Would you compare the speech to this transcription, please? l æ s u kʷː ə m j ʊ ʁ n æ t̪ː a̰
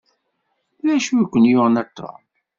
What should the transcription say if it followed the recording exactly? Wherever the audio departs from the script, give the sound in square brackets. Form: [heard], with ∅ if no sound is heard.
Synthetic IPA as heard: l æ [ʃ] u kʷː ə [n] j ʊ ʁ n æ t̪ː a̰